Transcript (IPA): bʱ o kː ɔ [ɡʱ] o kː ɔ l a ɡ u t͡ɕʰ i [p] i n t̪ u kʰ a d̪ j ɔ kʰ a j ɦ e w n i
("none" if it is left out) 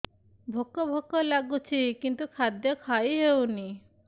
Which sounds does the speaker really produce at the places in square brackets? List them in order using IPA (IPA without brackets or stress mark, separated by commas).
bʱ, k